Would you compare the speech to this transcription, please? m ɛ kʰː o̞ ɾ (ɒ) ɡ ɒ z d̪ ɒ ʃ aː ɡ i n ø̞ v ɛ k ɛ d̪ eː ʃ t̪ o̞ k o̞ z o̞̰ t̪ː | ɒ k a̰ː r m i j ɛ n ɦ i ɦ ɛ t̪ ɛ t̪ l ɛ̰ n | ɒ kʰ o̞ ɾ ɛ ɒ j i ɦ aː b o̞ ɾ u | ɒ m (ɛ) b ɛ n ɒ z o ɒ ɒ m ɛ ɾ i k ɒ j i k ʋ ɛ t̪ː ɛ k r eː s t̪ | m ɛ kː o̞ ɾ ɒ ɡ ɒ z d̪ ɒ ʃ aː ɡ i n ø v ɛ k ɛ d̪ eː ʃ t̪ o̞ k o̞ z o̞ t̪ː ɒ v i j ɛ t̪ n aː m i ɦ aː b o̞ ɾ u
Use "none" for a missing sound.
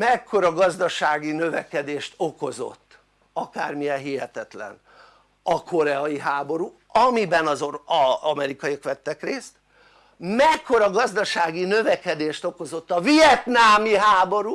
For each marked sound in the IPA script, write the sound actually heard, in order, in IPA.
ɒ, i

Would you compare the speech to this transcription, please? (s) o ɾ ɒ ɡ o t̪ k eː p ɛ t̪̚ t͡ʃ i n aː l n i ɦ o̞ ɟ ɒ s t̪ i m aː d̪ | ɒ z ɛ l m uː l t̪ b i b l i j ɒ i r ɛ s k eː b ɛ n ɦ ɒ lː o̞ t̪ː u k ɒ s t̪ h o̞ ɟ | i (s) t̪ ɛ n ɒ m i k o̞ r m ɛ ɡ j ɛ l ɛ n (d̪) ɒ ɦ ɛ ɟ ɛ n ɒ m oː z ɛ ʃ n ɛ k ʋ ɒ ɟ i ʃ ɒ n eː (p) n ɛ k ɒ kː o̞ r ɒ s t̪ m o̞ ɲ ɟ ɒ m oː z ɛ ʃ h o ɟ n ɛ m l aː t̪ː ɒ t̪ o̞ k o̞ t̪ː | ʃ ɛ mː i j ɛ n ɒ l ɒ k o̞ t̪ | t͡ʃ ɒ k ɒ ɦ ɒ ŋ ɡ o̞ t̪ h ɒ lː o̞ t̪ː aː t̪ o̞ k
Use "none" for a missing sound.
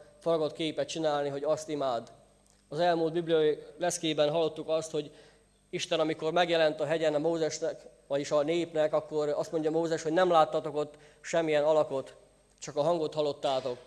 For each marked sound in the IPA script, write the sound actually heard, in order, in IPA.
f, ʃ, t̪, p

